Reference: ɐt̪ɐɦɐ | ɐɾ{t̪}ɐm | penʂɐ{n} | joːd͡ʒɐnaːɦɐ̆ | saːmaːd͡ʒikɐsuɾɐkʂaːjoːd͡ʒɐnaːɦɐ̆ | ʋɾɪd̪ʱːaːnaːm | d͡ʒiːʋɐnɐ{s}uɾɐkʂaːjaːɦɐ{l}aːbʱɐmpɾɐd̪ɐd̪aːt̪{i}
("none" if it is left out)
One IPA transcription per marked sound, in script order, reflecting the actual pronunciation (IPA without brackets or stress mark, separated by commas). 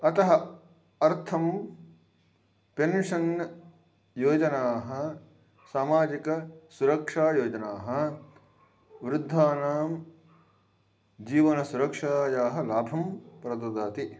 t̪ʰ, n, s, l, i